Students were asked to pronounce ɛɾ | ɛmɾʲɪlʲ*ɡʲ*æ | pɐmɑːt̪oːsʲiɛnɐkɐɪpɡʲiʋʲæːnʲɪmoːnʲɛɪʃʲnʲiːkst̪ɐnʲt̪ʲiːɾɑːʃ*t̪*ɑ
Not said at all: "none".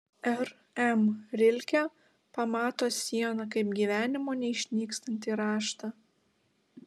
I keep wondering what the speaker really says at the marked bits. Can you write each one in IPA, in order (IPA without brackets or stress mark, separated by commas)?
kʲ, t̪